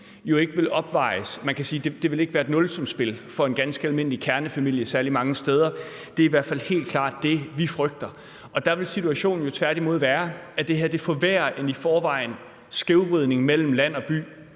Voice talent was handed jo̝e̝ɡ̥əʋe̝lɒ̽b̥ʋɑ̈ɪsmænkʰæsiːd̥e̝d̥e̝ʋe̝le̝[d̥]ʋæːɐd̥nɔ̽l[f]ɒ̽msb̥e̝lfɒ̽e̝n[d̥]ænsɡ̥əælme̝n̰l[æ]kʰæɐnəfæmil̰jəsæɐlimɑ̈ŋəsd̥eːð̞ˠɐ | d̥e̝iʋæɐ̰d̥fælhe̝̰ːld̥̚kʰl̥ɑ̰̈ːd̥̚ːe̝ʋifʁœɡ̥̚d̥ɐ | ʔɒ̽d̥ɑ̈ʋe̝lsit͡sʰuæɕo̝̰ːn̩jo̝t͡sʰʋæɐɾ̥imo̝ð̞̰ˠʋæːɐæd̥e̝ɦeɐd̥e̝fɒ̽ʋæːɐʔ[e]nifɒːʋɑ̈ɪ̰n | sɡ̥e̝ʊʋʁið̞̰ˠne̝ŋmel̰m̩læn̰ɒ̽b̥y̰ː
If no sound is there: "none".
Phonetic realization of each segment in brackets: ɡ̥, s, ɡ̥, i, e

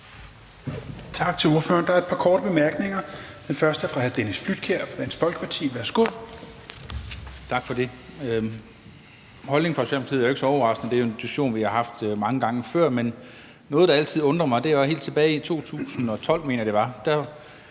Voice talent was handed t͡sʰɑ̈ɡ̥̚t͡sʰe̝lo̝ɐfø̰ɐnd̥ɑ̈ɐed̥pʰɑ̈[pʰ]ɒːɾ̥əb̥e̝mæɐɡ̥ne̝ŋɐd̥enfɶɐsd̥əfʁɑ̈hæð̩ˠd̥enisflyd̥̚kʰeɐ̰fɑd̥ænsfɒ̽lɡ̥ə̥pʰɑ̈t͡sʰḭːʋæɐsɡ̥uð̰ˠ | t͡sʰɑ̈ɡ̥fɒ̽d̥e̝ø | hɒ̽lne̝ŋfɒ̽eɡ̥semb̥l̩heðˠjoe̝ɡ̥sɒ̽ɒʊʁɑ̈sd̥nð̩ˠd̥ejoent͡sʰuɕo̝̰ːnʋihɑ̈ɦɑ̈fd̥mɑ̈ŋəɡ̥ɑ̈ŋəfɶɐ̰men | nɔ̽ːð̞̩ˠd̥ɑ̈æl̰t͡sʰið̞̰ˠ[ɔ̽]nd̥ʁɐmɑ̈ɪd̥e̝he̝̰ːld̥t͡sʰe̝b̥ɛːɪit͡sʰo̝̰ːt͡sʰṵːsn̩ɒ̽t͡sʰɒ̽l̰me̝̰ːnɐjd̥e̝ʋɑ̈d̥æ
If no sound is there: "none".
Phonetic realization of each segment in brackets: kʰ, ɔ̽

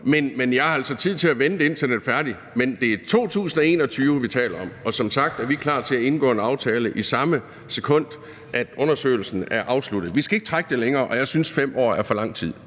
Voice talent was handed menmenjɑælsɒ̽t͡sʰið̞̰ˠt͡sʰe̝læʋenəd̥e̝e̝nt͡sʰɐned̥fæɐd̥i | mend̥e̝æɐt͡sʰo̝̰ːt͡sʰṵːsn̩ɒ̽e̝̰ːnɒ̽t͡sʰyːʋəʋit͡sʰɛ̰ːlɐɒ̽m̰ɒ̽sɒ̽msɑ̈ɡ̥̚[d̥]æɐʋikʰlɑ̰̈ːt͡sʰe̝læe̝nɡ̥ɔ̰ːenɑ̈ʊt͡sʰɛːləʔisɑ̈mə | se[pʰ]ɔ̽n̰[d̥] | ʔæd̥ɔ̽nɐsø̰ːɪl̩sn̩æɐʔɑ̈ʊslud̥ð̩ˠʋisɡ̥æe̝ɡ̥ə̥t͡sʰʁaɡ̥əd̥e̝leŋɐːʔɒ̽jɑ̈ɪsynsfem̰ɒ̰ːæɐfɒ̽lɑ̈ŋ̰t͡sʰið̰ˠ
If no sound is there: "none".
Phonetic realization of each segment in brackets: d̥, kʰ, d̥

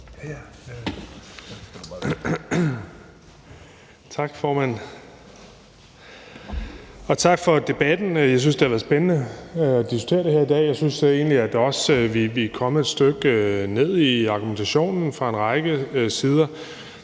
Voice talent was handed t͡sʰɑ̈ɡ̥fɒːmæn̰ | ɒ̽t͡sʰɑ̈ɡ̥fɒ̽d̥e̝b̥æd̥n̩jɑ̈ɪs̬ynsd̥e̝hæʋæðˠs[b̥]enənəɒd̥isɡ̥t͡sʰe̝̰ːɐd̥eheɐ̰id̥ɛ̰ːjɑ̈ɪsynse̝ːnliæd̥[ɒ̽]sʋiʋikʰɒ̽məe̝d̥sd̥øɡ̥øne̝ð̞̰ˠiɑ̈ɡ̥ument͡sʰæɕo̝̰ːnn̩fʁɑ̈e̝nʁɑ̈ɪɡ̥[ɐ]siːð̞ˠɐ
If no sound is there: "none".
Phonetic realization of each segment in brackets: b̥, ɒ̽, ə

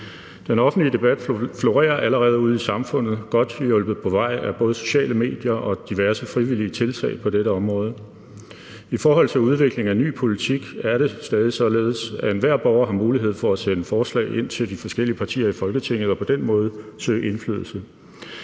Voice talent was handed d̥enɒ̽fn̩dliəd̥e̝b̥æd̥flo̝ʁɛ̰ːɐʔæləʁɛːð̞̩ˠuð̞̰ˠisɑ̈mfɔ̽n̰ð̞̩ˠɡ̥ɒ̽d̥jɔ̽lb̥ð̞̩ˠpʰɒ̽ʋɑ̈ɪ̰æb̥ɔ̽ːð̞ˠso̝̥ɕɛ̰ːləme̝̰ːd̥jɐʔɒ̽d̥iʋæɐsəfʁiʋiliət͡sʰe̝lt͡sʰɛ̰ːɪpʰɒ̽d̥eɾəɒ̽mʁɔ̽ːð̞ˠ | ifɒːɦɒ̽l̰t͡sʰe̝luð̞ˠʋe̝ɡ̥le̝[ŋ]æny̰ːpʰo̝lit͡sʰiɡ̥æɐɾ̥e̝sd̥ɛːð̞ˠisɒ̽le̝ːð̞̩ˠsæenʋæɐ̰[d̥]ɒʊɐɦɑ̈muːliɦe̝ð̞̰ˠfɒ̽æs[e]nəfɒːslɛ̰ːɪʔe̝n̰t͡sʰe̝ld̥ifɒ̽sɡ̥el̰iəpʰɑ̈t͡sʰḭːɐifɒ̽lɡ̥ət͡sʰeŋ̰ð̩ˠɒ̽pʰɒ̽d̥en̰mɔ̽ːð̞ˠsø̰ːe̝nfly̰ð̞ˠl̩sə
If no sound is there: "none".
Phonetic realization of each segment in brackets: ŋ, b̥, e

